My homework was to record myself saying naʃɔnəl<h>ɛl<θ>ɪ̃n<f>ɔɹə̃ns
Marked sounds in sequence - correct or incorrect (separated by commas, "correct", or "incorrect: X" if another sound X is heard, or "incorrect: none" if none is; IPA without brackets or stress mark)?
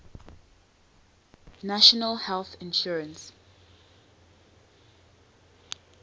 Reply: correct, correct, incorrect: ʃ